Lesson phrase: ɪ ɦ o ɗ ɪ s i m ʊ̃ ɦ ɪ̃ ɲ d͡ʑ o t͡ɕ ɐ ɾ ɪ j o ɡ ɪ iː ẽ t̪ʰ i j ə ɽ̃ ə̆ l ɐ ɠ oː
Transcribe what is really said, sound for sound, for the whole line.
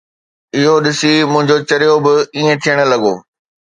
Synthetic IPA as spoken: ɪ ɦ o ɗ ɪ s i m ʊ̃ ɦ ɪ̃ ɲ d͡ʑ o t͡ɕ ɐ ɾ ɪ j o b ɪ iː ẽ t̪ʰ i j ə ɽ̃ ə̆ l ɐ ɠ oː

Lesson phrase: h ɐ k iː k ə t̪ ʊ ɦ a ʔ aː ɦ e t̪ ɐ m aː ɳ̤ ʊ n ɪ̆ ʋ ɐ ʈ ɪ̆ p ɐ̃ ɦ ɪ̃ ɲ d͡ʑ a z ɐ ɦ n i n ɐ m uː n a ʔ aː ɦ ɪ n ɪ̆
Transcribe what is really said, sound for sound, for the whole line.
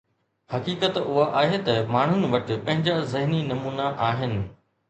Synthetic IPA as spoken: h ɐ k iː k ə t̪ ʊ ɦ a ʔ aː ɦ e t̪ ɐ m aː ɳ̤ ʊ n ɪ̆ ʋ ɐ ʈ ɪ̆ p ɐ̃ ɦ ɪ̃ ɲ d͡ʑ a z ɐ ɦ n i n ɐ m uː n a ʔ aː ɦ ɪ n ɪ̆

